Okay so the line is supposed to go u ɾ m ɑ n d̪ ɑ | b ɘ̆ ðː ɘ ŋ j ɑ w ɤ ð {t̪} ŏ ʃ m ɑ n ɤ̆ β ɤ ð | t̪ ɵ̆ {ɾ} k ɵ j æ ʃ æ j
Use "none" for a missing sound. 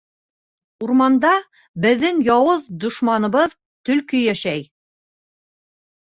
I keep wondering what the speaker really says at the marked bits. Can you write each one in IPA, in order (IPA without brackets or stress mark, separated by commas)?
d̪, l